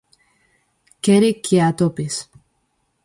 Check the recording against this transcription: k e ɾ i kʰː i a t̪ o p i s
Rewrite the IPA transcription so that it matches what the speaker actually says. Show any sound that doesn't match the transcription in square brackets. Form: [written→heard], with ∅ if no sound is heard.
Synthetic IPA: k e ɾ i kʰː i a t̪ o p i s

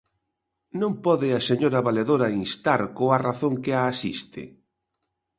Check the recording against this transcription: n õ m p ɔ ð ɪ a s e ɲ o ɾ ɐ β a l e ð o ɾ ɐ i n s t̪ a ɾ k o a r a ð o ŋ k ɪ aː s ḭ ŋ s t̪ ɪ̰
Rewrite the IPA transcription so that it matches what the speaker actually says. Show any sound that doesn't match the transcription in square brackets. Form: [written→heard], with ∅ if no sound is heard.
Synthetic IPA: n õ m p ɔ ð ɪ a s e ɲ o ɾ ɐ β a l e ð o ɾ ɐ i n s t̪ a ɾ k o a r a [ð→θ] o ŋ k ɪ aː s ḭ [ŋ→∅] s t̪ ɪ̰

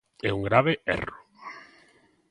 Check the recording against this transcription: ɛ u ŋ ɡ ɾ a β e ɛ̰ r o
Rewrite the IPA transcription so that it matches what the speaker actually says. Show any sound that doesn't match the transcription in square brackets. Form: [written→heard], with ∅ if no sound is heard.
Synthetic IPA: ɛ u ŋ ɡ ɾ a β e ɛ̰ r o

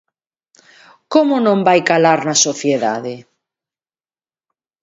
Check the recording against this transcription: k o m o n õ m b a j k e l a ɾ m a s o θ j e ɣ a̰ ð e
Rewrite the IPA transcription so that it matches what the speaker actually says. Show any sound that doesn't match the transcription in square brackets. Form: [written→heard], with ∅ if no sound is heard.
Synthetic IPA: k o m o n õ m b a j k [e→a] l a ɾ [m→n] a s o θ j e [ɣ→ð] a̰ ð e

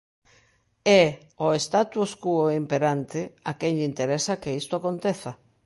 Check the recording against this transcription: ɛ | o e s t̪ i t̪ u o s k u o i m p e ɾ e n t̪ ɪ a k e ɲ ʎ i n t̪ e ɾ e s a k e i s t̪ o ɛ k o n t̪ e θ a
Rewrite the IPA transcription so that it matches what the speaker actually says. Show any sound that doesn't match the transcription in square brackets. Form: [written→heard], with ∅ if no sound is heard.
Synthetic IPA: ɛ | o e s t̪ [i→a] t̪ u o s k u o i m p e ɾ [e→a] n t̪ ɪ a k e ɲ ʎ i n t̪ e ɾ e s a k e i s t̪ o [ɛ→a] k o n t̪ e θ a

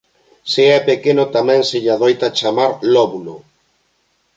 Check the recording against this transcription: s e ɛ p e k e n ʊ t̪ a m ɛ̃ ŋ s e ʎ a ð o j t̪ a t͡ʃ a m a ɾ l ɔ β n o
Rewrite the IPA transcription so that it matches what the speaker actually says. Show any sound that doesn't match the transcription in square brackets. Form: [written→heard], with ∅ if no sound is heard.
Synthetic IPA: s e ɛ p e k e n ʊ t̪ a m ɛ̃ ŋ s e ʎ a ð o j t̪ a t͡ʃ a m a ɾ l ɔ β n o

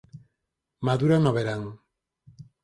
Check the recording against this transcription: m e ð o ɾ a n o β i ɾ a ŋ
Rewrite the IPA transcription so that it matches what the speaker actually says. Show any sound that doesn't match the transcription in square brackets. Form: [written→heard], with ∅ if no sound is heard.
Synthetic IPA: m [e→a] ð [o→u] ɾ a n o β [i→e] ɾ a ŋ

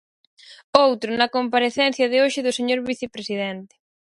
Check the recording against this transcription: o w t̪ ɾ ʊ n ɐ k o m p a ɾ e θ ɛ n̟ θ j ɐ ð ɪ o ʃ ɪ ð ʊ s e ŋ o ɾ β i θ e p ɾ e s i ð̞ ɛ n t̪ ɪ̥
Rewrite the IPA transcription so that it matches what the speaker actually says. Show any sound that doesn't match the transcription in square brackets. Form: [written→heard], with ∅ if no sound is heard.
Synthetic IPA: o w t̪ ɾ ʊ n ɐ k o m p a ɾ e θ ɛ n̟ θ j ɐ ð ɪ o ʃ ɪ ð ʊ s e [ŋ→ɲ] o ɾ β i θ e p ɾ e s i ð̞ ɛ n t̪ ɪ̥

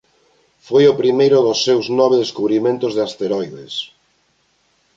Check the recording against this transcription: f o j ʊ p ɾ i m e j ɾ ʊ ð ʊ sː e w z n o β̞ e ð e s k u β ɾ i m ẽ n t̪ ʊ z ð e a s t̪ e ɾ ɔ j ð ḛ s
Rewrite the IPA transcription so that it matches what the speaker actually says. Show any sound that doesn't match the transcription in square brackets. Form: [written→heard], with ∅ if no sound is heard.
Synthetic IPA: f o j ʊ p ɾ i m e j ɾ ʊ ð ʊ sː e w z n [o→ɔ] β̞ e ð e s k u β ɾ i m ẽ n t̪ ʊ z ð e a s t̪ e ɾ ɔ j ð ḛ s

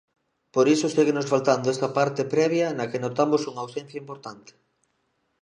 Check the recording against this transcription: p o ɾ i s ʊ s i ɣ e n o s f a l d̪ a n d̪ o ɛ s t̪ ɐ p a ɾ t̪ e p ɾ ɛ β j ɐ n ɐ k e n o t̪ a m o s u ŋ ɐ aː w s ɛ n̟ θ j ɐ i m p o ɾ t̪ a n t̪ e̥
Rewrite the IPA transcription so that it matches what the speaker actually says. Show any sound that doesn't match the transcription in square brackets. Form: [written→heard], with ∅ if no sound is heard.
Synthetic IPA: p o ɾ i s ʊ s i ɣ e n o s f a l [d̪→t̪] a n d̪ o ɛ s t̪ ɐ p a ɾ t̪ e p ɾ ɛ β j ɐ n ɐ k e n o t̪ a m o s u ŋ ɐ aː w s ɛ n̟ θ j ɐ i m p o ɾ t̪ a n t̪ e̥

